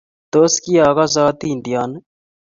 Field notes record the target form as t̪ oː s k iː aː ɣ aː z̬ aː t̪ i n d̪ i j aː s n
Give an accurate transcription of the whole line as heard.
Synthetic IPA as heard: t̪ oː s k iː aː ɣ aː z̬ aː t̪ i n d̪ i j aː n